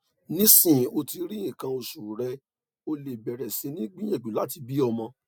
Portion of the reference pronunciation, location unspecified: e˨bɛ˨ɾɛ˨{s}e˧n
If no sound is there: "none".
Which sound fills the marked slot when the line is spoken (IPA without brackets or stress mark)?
s